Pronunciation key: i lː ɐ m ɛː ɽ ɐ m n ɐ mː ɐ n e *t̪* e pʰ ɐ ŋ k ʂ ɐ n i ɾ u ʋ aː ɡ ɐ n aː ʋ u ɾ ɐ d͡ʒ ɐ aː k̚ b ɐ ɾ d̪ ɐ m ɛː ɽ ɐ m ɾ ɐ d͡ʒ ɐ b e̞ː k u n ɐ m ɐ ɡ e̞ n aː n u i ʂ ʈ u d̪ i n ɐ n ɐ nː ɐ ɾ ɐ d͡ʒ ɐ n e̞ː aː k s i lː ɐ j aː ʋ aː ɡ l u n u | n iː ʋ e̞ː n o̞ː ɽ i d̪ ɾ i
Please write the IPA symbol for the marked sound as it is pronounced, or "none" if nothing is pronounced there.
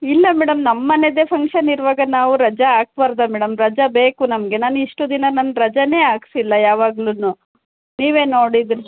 d̪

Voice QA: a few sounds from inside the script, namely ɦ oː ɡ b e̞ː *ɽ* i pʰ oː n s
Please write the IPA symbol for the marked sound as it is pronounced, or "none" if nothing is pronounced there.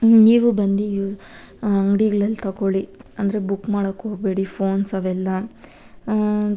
ɽ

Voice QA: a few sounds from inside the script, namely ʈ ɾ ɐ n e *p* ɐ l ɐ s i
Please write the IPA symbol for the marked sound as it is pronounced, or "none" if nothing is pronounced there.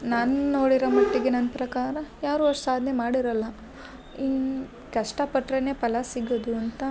p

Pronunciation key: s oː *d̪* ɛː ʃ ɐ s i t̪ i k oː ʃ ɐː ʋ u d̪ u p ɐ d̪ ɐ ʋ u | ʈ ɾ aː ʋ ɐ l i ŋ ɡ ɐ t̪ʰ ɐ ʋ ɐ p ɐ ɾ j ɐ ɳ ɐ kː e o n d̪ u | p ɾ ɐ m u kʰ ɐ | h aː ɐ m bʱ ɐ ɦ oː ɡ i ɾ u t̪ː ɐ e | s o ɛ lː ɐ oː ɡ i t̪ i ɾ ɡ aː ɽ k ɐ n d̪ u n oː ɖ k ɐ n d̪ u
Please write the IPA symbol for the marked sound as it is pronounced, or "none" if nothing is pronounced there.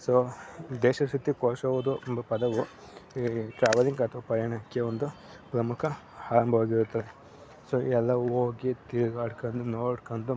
d̪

